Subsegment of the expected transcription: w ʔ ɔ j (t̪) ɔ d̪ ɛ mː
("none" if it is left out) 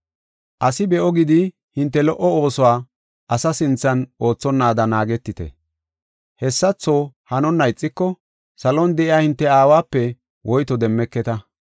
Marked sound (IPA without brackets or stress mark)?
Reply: t̪